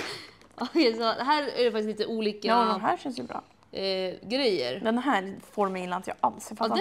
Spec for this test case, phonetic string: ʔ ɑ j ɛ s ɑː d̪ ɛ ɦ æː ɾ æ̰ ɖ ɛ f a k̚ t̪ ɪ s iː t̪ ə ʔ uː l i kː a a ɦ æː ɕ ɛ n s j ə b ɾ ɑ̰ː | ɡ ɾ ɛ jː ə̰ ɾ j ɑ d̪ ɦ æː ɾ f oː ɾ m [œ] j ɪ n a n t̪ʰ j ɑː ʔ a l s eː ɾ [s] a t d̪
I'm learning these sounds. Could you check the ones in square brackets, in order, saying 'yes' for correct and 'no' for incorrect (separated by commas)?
no, no